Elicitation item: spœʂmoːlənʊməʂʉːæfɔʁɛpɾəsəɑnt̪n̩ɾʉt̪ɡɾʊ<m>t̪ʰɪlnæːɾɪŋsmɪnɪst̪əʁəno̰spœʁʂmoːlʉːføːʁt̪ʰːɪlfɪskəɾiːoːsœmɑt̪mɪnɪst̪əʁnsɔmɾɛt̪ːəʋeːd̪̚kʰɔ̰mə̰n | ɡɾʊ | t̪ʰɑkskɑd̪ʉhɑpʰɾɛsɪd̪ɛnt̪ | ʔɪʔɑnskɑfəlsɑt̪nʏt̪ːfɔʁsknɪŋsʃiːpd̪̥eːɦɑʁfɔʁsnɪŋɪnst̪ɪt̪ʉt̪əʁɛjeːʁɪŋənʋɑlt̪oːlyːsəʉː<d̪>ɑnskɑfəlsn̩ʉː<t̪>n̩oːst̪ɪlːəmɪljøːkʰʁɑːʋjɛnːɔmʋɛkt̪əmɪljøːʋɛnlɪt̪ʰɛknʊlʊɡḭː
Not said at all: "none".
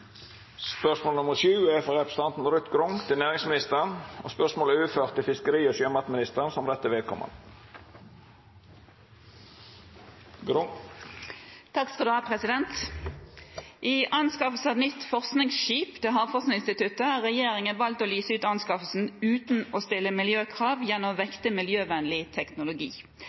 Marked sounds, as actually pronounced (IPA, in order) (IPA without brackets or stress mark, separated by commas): ŋ, t̪, t̪